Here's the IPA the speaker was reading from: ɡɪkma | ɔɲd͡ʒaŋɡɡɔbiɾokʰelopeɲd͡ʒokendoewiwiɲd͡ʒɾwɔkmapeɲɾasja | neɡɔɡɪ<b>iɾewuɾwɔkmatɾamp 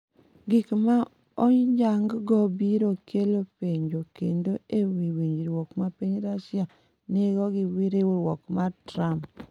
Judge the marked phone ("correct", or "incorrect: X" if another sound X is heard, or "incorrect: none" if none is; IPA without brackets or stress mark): incorrect: w